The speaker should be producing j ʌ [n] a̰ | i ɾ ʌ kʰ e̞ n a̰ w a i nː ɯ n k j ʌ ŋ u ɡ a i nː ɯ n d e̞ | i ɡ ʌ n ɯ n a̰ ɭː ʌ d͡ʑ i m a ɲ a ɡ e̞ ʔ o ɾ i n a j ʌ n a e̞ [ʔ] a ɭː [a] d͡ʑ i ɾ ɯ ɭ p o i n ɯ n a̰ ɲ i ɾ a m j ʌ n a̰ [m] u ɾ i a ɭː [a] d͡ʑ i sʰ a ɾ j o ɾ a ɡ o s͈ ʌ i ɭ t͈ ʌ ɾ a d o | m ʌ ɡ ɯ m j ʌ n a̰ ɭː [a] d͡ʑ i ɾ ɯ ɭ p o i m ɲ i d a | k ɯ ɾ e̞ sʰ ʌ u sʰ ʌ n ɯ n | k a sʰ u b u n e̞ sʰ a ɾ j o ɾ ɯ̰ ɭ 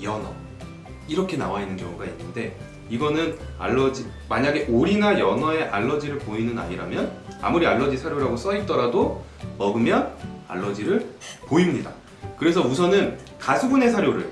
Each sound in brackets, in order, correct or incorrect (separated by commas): correct, correct, incorrect, correct, incorrect, incorrect